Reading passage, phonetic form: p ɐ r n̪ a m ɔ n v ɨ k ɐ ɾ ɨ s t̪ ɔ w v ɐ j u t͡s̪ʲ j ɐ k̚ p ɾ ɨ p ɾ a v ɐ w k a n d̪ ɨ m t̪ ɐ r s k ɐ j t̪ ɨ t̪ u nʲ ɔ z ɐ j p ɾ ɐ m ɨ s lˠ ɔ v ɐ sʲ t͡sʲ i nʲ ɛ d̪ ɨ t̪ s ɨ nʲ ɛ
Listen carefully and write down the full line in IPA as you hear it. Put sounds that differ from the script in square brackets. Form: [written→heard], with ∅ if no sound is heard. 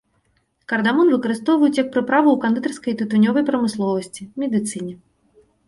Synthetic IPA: [p→k] ɐ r [n̪→d̪] a m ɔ n v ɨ k ɐ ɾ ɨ s t̪ ɔ w v ɐ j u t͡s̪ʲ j ɐ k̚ p ɾ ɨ p ɾ a v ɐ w k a n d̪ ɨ [m→∅] t̪ ɐ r s k ɐ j t̪ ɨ t̪ u nʲ ɔ [z→v] ɐ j p ɾ ɐ m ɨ s lˠ ɔ v ɐ sʲ t͡sʲ i [nʲ→mʲ] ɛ d̪ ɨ t̪ s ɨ nʲ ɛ